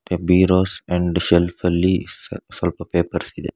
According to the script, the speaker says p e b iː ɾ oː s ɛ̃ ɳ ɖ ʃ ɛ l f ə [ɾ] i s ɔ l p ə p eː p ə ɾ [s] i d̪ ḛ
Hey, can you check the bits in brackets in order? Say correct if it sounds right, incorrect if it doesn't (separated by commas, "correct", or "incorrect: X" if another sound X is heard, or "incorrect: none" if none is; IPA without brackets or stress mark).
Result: incorrect: l, correct